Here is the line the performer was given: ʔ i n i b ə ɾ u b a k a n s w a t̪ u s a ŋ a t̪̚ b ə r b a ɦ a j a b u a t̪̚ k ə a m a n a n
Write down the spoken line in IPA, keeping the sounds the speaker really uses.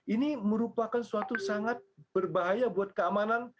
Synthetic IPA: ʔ i n i m ə ɾ u p a k a n s u a t̪ u s a ŋ a t̪̚ b ə r b a ɦ a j a b u a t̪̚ k ə a m a n a n